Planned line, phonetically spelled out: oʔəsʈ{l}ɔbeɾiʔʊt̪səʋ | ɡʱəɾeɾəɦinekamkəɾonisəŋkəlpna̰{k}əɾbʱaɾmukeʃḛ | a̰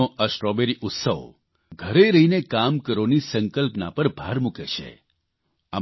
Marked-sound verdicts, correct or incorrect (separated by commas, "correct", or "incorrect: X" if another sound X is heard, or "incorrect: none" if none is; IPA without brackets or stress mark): incorrect: ɾ, incorrect: p